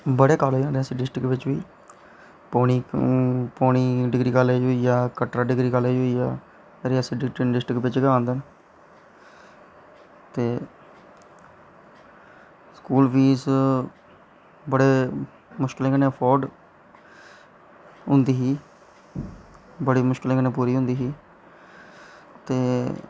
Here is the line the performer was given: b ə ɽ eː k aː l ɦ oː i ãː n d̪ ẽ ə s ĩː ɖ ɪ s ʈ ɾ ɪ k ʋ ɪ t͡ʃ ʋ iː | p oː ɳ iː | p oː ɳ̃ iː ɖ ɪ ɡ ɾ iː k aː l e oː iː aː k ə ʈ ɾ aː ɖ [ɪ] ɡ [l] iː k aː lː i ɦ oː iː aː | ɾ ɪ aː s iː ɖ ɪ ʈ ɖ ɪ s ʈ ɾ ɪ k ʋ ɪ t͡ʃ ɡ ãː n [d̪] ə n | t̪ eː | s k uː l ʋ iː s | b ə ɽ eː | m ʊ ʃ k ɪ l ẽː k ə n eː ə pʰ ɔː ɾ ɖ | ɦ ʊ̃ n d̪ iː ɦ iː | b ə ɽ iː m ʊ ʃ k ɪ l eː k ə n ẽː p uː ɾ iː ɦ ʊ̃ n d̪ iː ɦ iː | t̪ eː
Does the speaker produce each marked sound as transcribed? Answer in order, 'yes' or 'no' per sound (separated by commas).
yes, no, yes